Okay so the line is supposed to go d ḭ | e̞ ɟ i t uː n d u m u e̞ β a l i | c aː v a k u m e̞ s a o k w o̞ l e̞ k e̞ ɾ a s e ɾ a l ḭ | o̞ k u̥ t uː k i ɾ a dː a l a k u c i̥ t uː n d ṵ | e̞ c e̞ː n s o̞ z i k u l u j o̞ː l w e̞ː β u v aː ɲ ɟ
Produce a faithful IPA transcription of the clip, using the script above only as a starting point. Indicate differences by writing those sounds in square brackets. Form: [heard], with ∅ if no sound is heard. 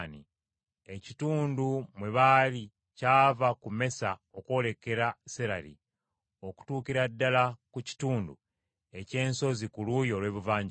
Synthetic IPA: [n] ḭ | e̞ [c] i t uː n d u m [w] e̞ β a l i | c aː v a k u m e̞ s a o k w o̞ l e̞ k e̞ ɾ a s e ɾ a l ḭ | o̞ k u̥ t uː k i ɾ a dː a l a k u c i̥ t uː n d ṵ | e̞ c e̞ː n s o̞ z i k u l u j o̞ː l w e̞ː β u v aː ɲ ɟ